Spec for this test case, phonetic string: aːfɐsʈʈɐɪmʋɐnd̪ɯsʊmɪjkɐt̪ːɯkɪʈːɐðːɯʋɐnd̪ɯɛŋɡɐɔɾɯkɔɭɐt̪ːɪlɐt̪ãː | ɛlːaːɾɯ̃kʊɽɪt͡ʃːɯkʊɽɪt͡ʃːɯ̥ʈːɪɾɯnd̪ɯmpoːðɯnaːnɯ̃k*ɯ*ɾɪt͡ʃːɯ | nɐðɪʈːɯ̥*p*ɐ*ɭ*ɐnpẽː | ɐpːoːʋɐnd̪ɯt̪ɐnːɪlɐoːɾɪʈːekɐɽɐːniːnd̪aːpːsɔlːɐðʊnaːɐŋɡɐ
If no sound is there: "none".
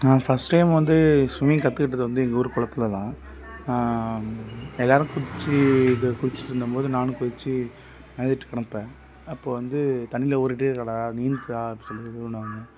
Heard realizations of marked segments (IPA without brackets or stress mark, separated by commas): ʊ, k, ɽ